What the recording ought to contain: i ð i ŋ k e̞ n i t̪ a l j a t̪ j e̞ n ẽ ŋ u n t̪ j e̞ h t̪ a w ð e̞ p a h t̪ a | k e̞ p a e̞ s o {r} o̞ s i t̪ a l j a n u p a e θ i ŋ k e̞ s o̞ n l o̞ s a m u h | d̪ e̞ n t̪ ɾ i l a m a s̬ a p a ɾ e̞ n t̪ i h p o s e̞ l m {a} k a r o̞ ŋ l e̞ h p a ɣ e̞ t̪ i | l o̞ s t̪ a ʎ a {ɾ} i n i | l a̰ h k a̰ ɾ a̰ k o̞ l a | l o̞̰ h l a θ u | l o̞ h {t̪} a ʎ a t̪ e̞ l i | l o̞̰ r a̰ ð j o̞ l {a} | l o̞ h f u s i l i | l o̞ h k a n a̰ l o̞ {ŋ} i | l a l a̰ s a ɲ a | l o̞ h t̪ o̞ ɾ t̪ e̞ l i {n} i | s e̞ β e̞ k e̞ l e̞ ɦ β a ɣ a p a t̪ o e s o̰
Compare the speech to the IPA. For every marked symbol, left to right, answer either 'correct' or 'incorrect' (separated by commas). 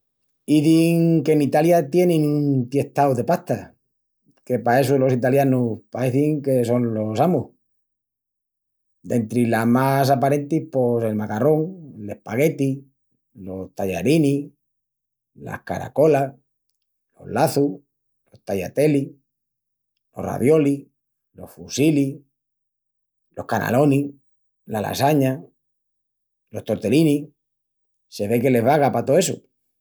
incorrect, correct, correct, correct, incorrect, incorrect, correct